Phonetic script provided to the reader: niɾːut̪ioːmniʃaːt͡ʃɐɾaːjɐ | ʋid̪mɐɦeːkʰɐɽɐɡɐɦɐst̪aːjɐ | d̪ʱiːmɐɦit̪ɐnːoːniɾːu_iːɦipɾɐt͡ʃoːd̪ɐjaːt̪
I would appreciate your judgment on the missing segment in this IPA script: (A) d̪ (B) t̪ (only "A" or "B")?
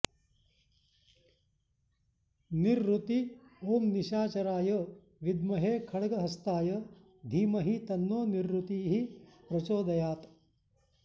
B